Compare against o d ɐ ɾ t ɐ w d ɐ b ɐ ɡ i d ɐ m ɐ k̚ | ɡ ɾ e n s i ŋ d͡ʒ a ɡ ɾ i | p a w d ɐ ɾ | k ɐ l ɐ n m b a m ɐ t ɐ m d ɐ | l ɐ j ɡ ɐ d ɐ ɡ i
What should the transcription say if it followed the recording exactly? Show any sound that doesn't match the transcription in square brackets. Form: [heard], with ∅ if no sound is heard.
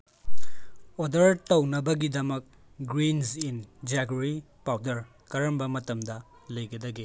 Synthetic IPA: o d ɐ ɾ t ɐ w [n] ɐ b ɐ ɡ i d ɐ m ɐ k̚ | ɡ ɾ [i] n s i [n] d͡ʒ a ɡ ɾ i | p a w d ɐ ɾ | k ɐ [ɾ] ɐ [∅] m b [ɐ] m ɐ t ɐ m d ɐ | l ɐ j ɡ ɐ d ɐ ɡ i